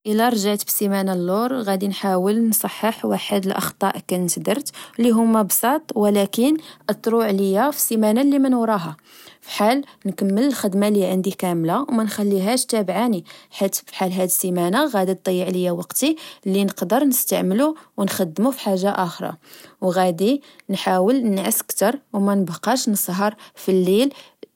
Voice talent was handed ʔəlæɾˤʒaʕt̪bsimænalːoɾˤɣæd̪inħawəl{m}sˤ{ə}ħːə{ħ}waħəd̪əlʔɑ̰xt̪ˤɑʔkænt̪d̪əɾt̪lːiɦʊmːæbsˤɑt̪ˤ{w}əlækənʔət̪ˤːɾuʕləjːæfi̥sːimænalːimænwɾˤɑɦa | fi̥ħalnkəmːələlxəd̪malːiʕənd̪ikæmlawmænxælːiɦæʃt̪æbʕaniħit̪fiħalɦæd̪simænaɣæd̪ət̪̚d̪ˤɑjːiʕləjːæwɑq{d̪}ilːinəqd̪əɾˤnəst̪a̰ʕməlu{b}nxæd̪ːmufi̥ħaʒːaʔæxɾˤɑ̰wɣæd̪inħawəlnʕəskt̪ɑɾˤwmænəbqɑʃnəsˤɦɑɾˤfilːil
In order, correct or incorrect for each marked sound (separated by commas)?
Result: incorrect, incorrect, correct, correct, incorrect, incorrect